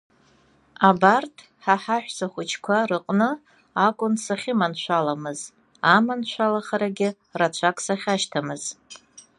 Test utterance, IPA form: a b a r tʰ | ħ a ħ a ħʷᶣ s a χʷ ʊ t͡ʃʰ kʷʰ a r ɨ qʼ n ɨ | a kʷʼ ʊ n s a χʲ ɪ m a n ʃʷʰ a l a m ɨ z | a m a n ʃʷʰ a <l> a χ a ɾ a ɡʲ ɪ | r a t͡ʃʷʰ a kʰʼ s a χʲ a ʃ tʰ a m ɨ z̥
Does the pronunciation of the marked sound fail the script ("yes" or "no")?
no